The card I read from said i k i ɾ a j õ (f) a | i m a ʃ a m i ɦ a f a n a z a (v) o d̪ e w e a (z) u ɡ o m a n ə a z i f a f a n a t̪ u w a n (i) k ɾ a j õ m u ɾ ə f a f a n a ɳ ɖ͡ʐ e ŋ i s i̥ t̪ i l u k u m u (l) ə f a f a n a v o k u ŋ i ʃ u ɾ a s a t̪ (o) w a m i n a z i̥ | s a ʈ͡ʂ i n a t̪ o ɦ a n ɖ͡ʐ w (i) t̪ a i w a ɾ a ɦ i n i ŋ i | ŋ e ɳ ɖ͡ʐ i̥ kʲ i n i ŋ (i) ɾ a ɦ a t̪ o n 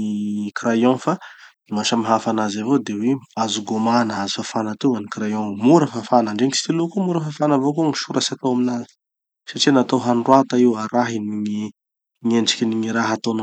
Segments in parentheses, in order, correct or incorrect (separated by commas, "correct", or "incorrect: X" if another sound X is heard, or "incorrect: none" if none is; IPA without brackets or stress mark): correct, correct, correct, correct, incorrect: ɾ, correct, incorrect: a, correct